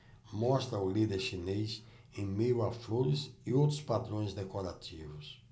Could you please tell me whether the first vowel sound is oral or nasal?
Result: oral